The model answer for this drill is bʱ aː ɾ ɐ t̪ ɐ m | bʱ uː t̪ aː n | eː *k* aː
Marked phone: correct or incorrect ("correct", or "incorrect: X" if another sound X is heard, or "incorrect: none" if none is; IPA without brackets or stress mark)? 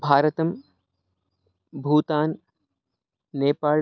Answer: incorrect: p